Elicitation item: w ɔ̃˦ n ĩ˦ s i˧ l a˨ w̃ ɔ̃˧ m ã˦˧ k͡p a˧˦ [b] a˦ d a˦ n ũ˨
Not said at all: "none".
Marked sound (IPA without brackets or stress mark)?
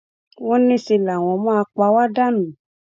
w